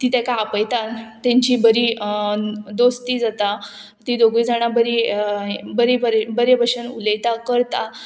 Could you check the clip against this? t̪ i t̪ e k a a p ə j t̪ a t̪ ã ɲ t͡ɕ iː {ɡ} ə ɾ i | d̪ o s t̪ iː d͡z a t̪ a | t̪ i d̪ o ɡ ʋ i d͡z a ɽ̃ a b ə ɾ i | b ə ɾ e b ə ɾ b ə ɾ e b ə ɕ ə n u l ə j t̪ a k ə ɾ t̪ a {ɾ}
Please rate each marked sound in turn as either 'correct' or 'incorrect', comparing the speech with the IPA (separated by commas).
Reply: incorrect, incorrect